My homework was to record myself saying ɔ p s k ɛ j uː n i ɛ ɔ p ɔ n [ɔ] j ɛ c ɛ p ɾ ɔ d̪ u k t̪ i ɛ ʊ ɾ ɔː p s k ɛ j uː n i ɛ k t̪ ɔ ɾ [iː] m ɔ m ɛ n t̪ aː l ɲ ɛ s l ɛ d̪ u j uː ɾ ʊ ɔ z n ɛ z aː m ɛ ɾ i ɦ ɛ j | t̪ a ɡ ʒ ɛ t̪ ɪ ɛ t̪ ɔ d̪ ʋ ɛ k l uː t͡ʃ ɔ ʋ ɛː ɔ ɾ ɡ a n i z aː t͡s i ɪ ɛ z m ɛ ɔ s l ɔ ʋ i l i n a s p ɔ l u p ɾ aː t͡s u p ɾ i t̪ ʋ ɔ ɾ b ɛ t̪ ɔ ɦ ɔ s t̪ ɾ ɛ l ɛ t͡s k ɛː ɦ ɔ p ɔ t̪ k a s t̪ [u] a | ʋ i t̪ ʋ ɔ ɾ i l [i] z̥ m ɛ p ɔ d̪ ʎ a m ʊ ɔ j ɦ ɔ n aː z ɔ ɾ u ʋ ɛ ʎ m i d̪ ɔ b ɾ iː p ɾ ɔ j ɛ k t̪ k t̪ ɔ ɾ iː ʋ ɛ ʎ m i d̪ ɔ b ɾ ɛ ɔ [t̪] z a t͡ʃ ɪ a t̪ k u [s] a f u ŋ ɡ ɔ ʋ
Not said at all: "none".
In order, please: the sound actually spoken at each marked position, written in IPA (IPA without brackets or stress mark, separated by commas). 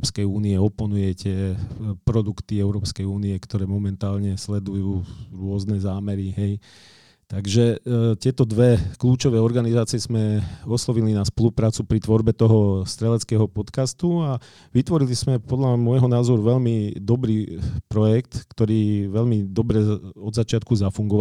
u, ɛː, u, i, d̪, z